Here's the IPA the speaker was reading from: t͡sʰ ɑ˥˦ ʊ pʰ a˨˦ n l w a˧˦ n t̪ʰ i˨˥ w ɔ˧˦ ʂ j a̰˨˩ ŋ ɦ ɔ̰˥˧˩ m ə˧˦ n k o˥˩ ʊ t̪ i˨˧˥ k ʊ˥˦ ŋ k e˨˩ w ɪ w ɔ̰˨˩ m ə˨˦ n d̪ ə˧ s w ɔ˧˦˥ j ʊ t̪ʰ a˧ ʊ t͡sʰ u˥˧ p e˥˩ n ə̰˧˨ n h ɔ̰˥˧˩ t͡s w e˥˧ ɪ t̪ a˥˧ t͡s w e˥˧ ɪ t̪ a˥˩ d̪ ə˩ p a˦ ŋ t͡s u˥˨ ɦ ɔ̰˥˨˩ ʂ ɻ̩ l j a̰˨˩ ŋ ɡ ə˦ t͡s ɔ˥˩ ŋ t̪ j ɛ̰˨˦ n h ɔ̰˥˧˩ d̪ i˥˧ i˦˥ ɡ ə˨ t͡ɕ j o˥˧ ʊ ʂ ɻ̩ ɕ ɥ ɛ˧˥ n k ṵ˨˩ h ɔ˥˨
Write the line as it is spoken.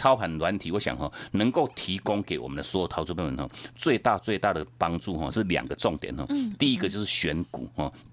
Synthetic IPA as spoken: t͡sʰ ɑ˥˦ ʊ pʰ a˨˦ n l w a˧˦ n t̪ʰ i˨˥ w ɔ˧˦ ɕ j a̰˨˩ ŋ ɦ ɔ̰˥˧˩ n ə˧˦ ŋ k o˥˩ ʊ t̪ʰ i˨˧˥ k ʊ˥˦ ŋ k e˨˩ ɪ w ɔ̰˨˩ m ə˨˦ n d̪ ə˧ s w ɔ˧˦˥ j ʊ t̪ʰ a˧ ʊ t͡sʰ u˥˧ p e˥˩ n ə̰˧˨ n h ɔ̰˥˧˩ t͡s w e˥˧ ɪ t̪ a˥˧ t͡s w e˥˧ ɪ t̪ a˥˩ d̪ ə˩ p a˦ ŋ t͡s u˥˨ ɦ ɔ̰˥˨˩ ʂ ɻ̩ l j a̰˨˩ ŋ ɡ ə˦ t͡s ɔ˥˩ ŋ t̪ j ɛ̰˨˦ n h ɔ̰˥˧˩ t̪ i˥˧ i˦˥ ɡ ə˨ t͡ɕ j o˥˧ ʊ ʂ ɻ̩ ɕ ɥ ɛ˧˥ n k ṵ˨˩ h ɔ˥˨